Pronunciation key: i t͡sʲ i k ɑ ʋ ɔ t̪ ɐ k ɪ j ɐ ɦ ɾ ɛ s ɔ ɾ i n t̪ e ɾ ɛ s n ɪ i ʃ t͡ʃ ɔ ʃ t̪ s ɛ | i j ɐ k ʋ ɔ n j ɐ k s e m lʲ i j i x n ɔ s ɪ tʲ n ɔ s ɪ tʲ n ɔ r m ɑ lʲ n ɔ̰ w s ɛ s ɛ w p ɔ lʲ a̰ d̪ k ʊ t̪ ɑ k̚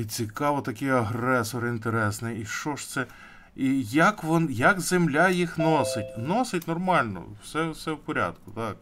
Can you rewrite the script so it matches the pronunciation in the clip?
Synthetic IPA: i t͡sʲ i k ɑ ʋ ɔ t̪ ɐ k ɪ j ɐ ɦ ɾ ɛ s ɔ ɾ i n t̪ e ɾ ɛ s n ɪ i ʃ t͡ʃ ɔ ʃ t̪ s ɛ | i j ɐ k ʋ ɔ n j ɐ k z e m lʲ a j i x n ɔ s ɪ tʲ n ɔ s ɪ tʲ n ɔ r m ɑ lʲ n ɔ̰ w s ɛ s ɛ w p ɔ ɾʲ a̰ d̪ k ʊ t̪ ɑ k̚